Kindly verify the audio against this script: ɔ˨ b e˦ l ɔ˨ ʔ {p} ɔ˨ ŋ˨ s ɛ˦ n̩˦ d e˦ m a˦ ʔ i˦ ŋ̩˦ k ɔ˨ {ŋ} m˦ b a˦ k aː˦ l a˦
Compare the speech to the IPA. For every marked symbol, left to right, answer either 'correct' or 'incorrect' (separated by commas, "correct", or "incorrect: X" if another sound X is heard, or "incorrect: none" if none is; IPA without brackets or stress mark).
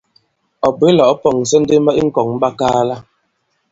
correct, correct